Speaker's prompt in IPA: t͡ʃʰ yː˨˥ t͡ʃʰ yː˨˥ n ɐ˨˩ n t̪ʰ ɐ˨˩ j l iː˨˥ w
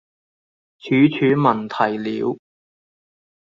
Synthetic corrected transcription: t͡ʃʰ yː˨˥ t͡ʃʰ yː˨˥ m ɐ˨˩ n t̪ʰ ɐ˨˩ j l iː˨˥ w